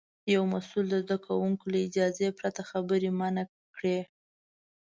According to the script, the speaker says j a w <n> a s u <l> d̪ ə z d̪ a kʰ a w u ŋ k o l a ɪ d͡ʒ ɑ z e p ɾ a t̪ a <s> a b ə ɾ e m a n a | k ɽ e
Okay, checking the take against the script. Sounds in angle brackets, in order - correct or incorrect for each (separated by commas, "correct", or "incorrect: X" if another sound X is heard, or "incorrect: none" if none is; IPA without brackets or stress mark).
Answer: incorrect: m, correct, incorrect: x